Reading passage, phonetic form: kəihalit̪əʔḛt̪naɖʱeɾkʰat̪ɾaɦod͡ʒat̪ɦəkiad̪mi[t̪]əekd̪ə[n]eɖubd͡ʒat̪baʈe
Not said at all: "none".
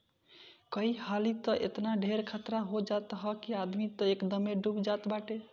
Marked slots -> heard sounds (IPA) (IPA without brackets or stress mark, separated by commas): t̪, m